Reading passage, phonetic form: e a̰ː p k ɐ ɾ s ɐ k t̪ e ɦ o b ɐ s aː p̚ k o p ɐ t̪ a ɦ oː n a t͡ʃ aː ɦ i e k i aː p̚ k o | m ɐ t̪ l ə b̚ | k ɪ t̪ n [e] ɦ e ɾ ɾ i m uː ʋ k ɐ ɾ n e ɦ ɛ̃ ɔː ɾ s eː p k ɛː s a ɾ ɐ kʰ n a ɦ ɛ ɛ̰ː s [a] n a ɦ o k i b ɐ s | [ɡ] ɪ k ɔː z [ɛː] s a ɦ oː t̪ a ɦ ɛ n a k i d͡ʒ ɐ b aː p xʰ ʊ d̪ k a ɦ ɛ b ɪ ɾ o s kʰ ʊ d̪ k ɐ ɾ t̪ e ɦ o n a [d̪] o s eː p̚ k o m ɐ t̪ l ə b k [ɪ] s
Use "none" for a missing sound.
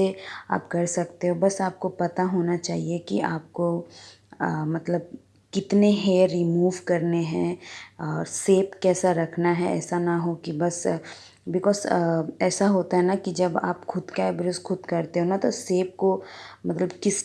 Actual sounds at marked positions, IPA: e, a, b, ɛː, t̪, ɪ

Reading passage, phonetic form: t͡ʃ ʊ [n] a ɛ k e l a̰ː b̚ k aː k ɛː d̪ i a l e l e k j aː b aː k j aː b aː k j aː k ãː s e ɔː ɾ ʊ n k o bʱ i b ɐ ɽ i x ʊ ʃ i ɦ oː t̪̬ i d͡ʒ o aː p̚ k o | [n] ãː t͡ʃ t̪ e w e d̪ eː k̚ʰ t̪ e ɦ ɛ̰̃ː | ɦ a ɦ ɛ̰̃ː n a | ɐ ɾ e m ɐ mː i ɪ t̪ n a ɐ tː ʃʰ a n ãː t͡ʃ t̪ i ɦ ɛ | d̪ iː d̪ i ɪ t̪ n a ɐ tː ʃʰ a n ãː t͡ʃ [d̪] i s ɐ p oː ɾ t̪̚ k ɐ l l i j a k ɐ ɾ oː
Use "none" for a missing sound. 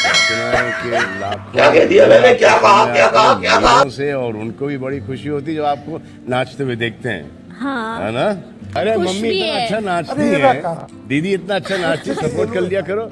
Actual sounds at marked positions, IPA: n, n, t̪

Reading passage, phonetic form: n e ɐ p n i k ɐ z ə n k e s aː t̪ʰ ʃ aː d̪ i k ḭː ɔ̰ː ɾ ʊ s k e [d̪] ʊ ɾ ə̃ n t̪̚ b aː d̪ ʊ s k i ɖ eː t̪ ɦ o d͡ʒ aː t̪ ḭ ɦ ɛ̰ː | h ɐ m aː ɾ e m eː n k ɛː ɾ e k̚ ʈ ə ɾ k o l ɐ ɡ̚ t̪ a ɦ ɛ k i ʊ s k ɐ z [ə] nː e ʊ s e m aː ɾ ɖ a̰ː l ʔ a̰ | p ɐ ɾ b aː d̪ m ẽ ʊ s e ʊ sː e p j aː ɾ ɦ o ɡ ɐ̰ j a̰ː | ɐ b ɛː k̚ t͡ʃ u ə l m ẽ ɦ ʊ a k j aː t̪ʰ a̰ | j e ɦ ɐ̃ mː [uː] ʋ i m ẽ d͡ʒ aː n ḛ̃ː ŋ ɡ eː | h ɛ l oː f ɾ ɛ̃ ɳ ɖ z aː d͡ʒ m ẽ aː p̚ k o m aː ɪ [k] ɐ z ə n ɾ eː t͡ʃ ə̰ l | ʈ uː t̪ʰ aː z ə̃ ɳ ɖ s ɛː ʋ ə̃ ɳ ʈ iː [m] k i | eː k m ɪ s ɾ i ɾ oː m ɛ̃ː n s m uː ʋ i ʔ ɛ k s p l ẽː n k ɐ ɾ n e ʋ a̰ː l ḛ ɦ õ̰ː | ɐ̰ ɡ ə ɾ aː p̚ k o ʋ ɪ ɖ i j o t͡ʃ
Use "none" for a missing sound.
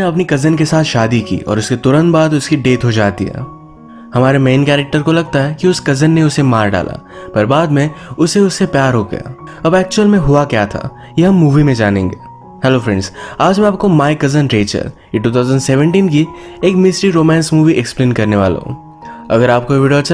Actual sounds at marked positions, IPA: t̪, ə, uː, k, n

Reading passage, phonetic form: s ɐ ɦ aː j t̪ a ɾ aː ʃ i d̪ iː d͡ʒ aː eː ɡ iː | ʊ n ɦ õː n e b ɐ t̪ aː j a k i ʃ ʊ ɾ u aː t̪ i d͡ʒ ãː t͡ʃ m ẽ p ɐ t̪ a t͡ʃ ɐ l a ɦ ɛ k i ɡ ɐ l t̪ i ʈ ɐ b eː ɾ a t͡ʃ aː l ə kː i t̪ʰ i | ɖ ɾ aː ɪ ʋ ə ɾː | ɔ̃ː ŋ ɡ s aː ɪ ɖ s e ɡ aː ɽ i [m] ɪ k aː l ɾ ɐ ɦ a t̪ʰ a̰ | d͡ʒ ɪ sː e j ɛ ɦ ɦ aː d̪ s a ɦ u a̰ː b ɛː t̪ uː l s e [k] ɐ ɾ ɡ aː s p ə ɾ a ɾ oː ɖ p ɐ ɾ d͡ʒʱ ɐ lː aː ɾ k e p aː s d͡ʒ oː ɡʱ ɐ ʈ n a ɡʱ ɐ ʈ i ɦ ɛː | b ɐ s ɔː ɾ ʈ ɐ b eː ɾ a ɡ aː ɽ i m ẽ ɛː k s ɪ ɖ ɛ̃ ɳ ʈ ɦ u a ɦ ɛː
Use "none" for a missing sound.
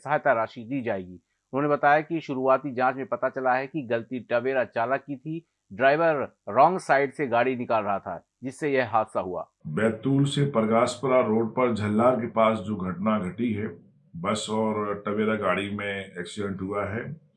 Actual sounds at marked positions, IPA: n, p

